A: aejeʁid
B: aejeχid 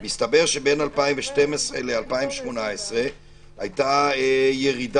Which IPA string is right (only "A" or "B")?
A